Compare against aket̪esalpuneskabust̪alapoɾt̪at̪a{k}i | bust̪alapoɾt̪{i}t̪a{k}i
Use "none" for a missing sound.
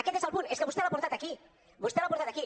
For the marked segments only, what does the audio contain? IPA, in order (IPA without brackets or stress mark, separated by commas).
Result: k, a, k